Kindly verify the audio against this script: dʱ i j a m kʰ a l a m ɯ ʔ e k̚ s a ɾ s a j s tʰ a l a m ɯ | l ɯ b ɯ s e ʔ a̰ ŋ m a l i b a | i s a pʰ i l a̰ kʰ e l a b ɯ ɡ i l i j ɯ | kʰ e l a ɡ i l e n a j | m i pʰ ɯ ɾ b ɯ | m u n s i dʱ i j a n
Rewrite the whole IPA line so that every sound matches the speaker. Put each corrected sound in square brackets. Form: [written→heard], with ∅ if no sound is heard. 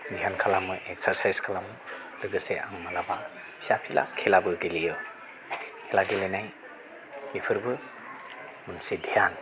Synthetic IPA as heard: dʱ i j a [m→n] kʰ a l a m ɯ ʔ e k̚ s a ɾ s a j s [tʰ→kʰ] a l a m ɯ | l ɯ [b→ɡ] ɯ s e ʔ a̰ ŋ m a l [i→a] b a | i s a pʰ i l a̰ kʰ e l a b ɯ ɡ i l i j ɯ | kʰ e l a ɡ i l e n a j | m i pʰ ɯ ɾ b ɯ | m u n s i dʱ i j a n